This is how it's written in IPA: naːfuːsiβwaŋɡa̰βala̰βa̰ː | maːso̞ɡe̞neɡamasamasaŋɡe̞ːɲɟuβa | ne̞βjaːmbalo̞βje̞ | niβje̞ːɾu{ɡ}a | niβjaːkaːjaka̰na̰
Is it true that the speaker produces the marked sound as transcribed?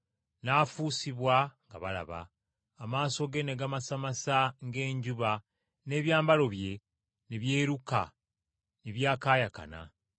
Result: no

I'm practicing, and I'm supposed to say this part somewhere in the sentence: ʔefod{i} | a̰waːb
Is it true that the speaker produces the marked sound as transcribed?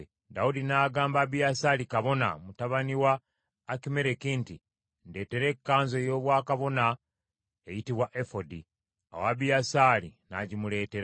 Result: yes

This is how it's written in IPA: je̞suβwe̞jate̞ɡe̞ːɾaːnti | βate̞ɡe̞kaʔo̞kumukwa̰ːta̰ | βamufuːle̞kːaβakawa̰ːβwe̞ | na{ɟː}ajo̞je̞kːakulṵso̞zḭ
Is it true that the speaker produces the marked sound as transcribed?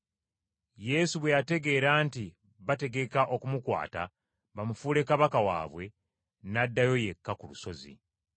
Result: no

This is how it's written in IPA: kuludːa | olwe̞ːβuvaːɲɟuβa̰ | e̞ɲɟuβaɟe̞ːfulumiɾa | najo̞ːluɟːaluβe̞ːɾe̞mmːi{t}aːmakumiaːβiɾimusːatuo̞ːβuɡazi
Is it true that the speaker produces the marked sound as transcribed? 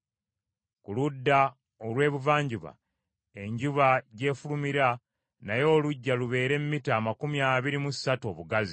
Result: yes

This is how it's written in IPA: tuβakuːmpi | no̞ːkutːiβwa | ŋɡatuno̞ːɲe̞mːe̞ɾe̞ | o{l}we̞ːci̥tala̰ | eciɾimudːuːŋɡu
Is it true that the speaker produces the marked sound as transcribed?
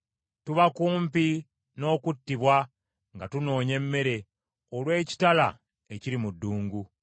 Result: yes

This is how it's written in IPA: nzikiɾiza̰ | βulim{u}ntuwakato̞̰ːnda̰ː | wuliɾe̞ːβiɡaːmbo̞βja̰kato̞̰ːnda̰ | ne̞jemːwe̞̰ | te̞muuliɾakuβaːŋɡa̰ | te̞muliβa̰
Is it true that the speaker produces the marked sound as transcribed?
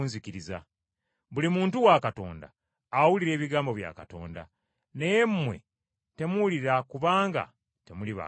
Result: no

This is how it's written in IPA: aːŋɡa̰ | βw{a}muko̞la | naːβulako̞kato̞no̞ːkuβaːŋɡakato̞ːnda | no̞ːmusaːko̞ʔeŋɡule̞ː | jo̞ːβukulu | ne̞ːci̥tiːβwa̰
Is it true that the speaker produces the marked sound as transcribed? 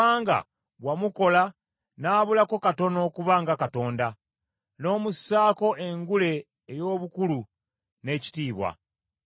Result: yes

